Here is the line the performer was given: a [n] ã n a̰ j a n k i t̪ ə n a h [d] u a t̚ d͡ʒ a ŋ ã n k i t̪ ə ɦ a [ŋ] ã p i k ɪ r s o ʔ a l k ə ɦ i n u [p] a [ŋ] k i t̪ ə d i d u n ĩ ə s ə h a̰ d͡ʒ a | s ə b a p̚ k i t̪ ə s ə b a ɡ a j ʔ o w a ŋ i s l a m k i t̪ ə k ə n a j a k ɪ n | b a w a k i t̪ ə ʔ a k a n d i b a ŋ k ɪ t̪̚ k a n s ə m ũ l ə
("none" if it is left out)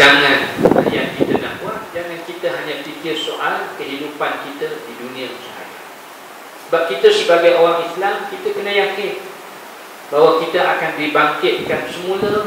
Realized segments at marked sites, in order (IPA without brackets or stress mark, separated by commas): ŋ, b, ɲ, p, n